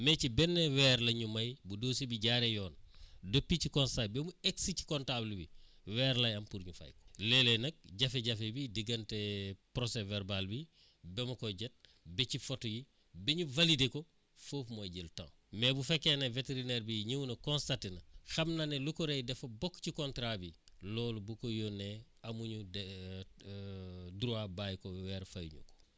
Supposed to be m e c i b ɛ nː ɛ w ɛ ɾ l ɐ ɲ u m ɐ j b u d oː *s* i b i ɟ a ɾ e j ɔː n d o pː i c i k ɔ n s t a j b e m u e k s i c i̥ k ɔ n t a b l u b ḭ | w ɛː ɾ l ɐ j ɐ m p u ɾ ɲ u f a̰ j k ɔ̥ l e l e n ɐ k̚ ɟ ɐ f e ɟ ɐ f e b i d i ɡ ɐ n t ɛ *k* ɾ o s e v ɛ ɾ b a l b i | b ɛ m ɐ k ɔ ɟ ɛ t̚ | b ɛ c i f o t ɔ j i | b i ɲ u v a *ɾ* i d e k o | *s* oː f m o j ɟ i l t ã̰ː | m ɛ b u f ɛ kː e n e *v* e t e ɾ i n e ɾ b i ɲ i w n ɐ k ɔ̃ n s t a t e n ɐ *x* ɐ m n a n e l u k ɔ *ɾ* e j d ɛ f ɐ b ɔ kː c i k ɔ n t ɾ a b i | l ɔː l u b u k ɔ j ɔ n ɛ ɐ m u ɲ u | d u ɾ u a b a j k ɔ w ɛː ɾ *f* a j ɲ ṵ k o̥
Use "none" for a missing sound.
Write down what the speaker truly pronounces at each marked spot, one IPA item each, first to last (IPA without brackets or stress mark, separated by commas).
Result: s, p, l, f, v, x, ɾ, f